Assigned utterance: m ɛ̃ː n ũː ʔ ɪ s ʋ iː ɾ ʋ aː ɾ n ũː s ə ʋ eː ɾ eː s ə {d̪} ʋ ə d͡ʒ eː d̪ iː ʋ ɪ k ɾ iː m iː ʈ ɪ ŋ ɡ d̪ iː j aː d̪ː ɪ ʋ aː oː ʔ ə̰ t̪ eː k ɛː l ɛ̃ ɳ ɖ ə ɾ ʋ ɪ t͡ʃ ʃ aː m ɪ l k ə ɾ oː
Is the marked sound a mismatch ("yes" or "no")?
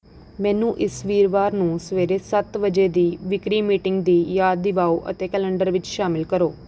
yes